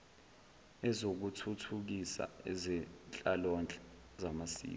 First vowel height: mid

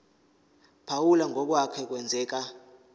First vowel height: low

